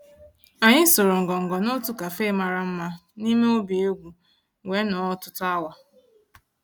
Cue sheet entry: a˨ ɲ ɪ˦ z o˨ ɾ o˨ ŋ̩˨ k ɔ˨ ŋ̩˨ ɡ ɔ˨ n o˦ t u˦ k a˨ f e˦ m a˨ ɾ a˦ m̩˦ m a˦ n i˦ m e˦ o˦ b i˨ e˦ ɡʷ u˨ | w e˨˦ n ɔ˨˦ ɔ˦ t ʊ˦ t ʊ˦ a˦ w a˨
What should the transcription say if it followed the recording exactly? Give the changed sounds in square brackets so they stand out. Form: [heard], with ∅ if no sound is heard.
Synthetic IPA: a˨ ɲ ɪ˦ [s] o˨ ɾ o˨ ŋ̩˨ [ɡ] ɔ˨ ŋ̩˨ ɡ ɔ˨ n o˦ t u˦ k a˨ f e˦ m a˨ ɾ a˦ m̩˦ m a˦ n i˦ m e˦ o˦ b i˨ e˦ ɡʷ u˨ | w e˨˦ n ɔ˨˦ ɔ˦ t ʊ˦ t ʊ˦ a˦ w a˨